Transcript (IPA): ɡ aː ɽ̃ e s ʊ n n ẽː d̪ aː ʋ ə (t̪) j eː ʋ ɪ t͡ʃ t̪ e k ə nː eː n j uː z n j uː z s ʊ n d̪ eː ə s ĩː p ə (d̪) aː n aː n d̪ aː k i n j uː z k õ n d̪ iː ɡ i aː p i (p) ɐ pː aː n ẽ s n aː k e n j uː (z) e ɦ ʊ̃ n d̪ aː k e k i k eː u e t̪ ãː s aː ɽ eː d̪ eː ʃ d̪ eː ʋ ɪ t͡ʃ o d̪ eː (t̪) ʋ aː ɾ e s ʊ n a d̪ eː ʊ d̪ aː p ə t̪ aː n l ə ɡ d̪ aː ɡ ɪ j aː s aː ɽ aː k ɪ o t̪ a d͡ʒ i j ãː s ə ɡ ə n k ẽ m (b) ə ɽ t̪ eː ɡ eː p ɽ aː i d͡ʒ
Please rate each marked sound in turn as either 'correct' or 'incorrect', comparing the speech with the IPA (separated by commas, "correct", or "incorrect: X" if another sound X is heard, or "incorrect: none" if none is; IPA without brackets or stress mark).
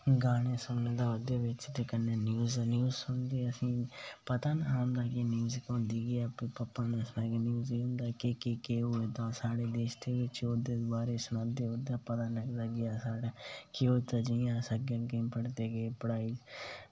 incorrect: d̪, incorrect: t̪, correct, correct, incorrect: d̪, incorrect: p